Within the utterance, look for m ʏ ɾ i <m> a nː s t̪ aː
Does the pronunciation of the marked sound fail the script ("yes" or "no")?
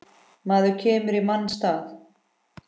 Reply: no